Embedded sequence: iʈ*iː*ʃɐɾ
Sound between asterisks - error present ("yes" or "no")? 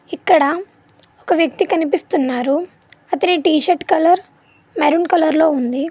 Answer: no